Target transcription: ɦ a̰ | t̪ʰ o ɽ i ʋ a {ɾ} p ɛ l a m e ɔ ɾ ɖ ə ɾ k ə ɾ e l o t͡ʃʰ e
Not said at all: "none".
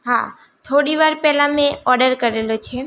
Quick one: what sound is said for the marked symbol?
ɾ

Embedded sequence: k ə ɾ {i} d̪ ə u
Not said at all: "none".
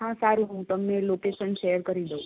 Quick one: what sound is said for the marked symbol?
i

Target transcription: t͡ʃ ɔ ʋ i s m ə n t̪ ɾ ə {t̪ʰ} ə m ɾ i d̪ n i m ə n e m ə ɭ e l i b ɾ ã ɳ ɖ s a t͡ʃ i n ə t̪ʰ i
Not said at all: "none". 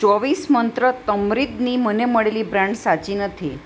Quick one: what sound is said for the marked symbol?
t̪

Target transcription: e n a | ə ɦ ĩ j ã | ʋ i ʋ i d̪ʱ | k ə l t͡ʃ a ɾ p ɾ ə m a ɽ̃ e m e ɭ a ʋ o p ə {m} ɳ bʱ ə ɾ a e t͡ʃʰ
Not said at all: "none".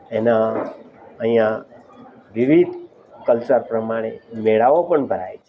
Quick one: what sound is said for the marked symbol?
none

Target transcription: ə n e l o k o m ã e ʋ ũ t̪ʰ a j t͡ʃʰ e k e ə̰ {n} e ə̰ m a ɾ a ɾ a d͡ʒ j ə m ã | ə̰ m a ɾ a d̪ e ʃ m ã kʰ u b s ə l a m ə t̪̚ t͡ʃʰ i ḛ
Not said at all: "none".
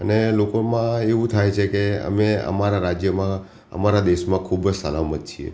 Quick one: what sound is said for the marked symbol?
m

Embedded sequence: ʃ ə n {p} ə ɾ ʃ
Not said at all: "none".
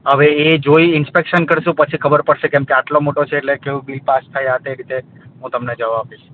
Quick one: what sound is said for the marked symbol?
k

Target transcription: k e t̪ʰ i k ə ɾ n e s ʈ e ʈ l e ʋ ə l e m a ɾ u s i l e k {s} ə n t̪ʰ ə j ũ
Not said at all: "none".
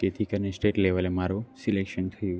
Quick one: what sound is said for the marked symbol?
ʃ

